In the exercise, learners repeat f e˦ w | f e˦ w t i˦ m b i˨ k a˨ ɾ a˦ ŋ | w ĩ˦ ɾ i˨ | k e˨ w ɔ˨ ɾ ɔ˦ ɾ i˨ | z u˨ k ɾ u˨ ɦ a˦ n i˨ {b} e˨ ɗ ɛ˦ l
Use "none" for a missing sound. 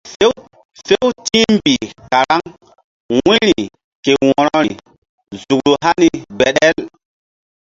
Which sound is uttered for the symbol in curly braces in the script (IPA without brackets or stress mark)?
b